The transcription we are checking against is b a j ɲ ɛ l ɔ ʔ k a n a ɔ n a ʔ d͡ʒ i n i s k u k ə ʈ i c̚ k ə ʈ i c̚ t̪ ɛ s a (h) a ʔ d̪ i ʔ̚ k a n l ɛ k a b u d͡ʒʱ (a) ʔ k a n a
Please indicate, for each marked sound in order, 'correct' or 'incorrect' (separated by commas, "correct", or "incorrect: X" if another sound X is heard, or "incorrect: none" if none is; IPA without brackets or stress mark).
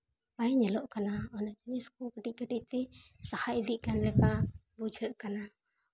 correct, incorrect: ə